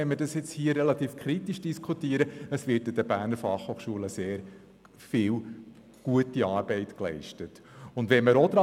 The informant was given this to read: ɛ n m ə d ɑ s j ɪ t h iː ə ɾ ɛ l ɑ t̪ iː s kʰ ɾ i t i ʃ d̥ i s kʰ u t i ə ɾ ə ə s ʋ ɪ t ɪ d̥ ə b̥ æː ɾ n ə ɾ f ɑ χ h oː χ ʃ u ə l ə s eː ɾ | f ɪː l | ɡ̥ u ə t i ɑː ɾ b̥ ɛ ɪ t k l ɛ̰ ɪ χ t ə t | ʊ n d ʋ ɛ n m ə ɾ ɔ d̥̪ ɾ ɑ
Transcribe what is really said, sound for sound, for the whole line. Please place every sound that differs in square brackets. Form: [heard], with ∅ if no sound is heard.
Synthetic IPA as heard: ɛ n m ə d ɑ s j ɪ [t͡s] h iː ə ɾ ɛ l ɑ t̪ iː [f] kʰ ɾ i t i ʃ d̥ i s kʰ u t i ə ɾ ə ə s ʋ ɪ t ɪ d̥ ə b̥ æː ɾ n ə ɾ f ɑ χ h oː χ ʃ u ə l ə s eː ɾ | f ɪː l | ɡ̥ u ə t i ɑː ɾ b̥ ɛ ɪ t k l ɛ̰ ɪ [ʃ] t ə t | ʊ n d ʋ ɛ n m ə ɾ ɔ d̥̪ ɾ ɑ